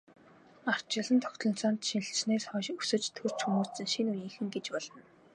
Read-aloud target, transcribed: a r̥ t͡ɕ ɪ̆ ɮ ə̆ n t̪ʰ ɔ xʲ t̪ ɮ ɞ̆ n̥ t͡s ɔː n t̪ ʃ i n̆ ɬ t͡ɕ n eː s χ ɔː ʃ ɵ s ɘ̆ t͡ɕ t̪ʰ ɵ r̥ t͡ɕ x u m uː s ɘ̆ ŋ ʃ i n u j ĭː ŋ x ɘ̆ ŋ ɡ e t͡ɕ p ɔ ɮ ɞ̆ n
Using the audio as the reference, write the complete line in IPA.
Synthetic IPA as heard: a r̥ t͡ɕ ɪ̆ ɮ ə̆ n t̪ʰ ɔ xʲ t̪ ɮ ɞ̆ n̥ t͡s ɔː n t̪ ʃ i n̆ ɬ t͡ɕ n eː s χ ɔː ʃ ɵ s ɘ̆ t͡ɕ t̪ʰ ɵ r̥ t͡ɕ x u m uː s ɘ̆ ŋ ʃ i n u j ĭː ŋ x ɘ̆ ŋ ɡ e t͡ɕ p ɔ ɮ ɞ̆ n